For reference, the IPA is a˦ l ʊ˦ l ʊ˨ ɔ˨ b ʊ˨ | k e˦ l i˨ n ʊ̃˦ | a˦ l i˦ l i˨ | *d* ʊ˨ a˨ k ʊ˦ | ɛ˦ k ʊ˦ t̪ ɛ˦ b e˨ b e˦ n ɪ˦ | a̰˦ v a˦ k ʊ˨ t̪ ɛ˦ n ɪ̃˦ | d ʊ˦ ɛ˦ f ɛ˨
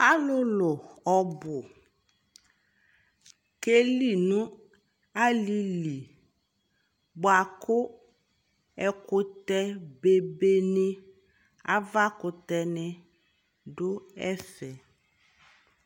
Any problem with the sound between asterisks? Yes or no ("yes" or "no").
yes